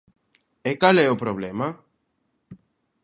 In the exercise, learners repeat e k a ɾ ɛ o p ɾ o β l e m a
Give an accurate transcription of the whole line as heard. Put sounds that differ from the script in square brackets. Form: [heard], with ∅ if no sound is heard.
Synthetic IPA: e k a [l] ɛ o p ɾ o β l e m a